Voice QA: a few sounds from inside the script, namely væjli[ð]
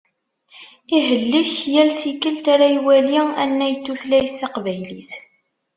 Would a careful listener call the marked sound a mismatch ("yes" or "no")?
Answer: yes